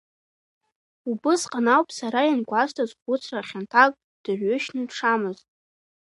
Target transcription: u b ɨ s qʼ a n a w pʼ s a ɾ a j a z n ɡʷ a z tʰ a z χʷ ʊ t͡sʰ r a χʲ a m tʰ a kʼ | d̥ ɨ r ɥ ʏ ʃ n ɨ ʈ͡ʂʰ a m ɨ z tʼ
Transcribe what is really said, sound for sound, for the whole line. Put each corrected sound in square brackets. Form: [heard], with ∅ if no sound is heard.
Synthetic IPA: u b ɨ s qʼ a n a w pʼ s a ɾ a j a [∅] n ɡʷ a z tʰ a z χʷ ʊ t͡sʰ r a χʲ a [n] tʰ a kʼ | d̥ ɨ r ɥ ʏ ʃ n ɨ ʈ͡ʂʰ a m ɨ z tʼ